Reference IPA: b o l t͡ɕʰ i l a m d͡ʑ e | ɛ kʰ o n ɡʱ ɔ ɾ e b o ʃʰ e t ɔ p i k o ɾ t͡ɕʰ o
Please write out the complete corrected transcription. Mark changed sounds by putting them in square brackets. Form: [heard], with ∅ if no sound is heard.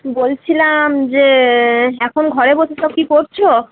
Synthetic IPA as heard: b o l t͡ɕʰ i l a m d͡ʑ e | ɛ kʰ o n ɡʱ ɔ ɾ e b o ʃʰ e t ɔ [k] i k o ɾ t͡ɕʰ o

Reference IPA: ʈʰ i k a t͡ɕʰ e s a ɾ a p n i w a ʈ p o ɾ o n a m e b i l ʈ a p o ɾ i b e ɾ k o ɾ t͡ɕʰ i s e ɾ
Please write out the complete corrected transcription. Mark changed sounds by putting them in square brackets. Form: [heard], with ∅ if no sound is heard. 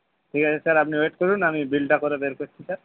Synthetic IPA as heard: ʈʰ i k a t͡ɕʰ e s a ɾ a p n i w [e] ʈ [k] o ɾ [u] n a m [i] b i l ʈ a [k] o ɾ [e] b e ɾ k o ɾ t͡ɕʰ i s [a] ɾ

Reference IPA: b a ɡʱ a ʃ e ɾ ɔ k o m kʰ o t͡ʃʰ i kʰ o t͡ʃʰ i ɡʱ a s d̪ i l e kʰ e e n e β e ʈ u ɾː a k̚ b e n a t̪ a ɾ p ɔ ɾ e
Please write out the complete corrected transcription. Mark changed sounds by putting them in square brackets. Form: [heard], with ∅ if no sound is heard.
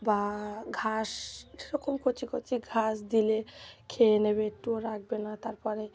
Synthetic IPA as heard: b a ɡʱ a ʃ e ɾ ɔ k o m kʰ o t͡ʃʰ i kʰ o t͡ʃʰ i ɡʱ a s d̪ i l e kʰ e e n e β e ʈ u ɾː a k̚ b e n a t̪ a ɾ p ɔ ɾ e

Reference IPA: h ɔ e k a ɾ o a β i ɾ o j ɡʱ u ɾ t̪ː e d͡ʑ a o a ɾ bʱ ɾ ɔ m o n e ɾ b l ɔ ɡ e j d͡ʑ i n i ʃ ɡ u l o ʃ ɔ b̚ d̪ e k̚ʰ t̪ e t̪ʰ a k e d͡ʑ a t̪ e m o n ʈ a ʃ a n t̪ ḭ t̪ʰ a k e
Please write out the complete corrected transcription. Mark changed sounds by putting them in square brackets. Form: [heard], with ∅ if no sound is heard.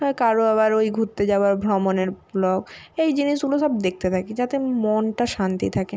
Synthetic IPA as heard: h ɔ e k a ɾ o a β [a] ɾ o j ɡʱ u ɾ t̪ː e d͡ʑ a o a ɾ bʱ ɾ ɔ m o n e ɾ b l ɔ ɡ e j d͡ʑ i n i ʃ ɡ u l o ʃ ɔ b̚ d̪ e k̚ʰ t̪ e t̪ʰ a k e d͡ʑ a t̪ e m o n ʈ a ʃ a n t̪ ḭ t̪ʰ a k e

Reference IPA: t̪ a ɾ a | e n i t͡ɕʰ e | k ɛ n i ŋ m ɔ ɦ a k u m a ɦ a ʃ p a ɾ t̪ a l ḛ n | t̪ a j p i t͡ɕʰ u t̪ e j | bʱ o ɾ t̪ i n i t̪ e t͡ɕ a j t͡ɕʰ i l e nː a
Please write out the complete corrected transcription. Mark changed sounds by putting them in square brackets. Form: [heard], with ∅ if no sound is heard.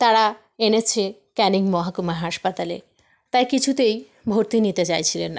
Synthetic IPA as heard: t̪ a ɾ a | e n [e] t͡ɕʰ e | k ɛ n i ŋ m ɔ ɦ a k u m a ɦ a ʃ p a [∅] t̪ a l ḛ [∅] | t̪ a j [k] i t͡ɕʰ u t̪ e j | bʱ o ɾ t̪ i n i t̪ e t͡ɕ a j t͡ɕʰ i l e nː a

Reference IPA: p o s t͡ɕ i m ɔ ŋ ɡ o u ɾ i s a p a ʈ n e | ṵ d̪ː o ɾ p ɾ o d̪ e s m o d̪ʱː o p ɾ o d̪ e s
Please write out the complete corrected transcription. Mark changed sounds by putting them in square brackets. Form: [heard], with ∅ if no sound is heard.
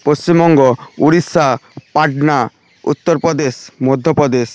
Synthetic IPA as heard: p o s t͡ɕ i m ɔ ŋ ɡ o u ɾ i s a p a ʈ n [a] | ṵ [t̪ː] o ɾ p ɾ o d̪ e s m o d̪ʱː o p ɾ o d̪ e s

